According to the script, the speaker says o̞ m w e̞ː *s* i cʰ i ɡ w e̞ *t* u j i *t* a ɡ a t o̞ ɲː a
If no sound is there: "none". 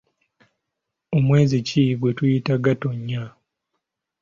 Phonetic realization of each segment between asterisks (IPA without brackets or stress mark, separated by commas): z, t, t